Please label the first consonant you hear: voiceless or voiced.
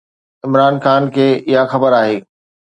voiced